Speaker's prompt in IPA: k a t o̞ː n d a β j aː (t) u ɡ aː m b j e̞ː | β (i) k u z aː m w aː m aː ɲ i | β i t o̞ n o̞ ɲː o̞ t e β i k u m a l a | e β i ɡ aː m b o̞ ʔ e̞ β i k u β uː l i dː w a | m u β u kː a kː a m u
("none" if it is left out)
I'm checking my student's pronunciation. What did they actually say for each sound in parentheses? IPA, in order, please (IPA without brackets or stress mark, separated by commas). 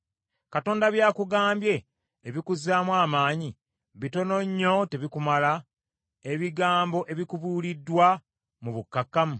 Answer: k, i